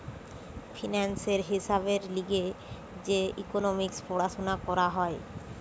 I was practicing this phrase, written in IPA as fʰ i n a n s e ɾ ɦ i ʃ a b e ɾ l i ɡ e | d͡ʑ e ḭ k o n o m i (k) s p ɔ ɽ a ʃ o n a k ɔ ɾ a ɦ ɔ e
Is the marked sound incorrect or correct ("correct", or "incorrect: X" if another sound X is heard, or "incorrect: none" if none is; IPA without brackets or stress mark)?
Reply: correct